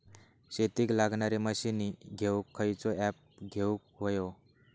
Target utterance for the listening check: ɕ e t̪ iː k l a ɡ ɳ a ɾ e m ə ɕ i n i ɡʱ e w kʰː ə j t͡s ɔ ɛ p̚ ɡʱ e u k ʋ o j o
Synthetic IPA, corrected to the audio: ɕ e t̪ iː k l a ɡ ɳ a ɾ e m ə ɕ i n i ɡʱ e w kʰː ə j t͡s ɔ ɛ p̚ ɡʱ e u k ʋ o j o